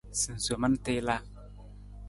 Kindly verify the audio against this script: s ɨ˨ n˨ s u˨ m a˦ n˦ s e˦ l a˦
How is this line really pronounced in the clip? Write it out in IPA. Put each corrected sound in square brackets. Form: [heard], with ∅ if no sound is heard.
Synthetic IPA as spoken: s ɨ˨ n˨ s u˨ m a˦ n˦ [t] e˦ l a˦